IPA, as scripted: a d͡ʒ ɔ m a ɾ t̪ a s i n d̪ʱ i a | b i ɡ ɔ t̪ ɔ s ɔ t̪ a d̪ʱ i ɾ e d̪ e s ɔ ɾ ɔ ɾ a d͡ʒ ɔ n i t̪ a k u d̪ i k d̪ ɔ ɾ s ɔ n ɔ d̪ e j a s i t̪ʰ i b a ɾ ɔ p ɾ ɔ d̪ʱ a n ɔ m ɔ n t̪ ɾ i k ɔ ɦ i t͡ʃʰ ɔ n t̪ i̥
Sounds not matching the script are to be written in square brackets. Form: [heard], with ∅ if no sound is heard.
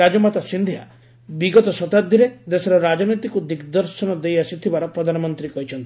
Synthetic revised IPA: a d͡ʒ ɔ m a [∅] t̪ a s i n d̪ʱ i a | b i ɡ ɔ t̪ ɔ s ɔ t̪ a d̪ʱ i ɾ e d̪ e s ɔ ɾ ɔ ɾ a d͡ʒ ɔ n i t̪ [i] k u d̪ i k d̪ ɔ ɾ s ɔ n ɔ d̪ e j a s i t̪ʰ i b a ɾ ɔ p ɾ ɔ d̪ʱ a n ɔ m ɔ n t̪ ɾ i k ɔ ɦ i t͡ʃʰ ɔ n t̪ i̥